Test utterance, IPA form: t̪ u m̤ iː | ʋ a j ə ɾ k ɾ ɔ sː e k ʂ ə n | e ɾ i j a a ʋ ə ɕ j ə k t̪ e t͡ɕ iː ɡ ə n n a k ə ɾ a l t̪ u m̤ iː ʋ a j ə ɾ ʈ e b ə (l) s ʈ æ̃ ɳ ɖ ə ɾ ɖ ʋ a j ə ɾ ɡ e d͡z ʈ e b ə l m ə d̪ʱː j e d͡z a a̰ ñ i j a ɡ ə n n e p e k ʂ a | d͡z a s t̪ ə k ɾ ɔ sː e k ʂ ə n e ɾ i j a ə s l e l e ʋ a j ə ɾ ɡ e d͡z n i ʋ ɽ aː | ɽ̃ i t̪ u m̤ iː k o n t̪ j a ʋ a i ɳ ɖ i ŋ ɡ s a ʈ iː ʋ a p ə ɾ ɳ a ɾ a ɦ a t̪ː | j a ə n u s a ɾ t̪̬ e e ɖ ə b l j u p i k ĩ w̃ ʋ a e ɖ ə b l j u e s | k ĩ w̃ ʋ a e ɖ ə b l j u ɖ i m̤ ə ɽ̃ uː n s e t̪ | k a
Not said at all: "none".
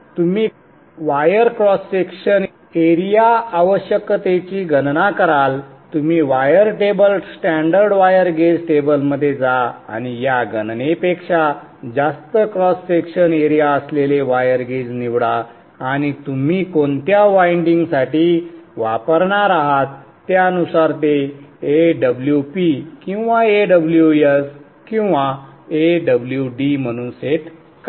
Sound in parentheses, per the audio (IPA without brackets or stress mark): l